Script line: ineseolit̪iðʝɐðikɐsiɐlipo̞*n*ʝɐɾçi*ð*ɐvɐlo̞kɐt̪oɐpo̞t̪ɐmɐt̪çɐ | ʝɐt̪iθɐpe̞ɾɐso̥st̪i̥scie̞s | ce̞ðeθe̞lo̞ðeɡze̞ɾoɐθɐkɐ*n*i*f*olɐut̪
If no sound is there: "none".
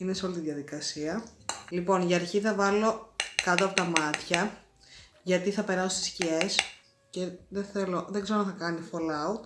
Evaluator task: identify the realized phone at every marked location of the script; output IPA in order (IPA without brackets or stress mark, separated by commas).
n, θ, n, f